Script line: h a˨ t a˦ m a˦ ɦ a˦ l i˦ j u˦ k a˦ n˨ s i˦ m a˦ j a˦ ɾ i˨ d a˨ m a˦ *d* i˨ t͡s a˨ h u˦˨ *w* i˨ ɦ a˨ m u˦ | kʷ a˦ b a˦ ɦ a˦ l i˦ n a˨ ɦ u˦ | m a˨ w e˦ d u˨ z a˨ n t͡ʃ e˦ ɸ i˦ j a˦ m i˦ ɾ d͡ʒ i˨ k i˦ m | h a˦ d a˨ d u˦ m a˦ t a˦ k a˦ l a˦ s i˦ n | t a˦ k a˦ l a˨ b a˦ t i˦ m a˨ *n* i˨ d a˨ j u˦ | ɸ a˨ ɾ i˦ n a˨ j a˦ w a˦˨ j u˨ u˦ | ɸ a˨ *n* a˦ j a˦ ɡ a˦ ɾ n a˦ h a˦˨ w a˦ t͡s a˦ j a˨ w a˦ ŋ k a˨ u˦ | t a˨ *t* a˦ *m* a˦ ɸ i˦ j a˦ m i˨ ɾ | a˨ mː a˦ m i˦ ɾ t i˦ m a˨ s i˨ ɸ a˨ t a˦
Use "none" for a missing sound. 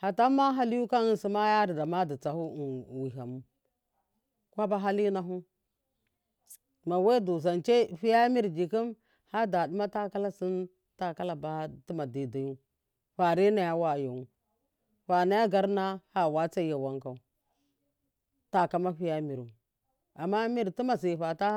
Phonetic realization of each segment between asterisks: d, w, d, n, k, m

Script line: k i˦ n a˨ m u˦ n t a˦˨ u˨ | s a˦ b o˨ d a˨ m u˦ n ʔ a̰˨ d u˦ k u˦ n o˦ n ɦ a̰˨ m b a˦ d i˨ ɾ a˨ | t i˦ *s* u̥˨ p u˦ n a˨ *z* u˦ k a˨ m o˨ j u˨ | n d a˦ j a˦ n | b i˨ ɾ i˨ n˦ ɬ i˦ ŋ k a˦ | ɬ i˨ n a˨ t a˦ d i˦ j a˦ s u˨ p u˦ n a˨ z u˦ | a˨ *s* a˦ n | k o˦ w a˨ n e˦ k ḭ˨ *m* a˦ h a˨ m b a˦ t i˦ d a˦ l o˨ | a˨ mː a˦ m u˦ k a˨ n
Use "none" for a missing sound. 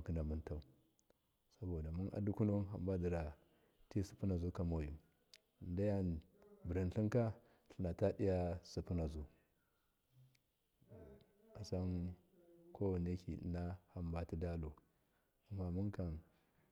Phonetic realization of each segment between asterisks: s, z, s, n

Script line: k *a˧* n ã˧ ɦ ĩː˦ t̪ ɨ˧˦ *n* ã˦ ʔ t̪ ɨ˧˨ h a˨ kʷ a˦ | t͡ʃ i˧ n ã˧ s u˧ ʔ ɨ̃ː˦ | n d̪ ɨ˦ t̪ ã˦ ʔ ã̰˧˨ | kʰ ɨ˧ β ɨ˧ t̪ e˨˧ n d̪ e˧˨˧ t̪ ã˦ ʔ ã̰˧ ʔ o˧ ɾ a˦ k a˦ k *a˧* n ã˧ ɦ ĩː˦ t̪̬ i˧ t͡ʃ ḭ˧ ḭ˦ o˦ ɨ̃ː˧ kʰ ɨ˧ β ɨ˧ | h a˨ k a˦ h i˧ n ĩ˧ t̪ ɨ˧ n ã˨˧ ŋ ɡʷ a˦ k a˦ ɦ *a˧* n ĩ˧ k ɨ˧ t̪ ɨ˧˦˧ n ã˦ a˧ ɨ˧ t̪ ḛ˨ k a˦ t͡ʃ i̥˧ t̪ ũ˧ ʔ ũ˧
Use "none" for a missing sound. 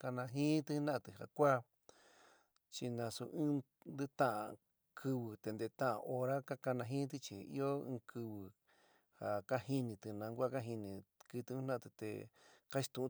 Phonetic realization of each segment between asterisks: a˧, n, a˧, i˧

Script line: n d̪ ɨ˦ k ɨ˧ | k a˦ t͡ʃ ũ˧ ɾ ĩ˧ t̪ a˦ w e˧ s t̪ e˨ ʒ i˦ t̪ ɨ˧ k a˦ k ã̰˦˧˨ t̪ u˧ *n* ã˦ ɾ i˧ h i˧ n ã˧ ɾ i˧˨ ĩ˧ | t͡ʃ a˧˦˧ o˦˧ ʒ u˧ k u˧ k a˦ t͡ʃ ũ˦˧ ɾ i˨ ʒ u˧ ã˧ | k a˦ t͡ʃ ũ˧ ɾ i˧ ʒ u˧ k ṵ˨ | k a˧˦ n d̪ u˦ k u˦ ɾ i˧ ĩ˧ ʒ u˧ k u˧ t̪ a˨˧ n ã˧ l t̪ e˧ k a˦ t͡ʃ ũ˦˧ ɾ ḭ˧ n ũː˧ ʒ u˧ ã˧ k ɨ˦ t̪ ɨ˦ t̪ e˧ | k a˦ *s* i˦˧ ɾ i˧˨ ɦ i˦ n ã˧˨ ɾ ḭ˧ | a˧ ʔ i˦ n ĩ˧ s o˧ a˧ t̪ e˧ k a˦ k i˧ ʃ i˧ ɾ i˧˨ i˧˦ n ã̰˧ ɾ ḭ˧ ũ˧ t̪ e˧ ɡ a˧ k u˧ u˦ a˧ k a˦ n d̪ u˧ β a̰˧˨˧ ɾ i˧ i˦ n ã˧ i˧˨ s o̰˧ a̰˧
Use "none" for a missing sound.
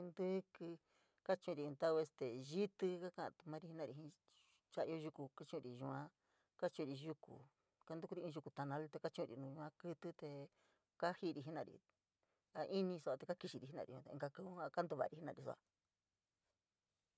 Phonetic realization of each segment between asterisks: m, h

